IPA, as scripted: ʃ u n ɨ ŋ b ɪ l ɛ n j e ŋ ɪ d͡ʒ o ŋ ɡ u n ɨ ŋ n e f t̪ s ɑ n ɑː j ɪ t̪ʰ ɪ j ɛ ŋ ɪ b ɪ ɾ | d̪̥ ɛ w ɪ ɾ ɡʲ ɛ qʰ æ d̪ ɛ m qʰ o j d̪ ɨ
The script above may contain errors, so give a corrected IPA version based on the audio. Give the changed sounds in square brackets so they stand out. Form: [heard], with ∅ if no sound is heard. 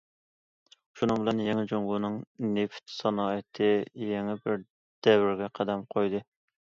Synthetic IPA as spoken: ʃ u n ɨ ŋ b ɪ l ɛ n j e ŋ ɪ d͡ʒ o ŋ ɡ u n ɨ ŋ n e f t̪ s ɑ n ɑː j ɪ t̪ʰ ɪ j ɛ ŋ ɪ b ɪ ɾ | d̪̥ ɛ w ɪ ɾ ɡʲ ɛ qʰ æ d̪ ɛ m qʰ o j d̪ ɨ